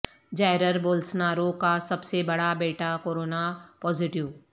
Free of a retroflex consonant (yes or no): no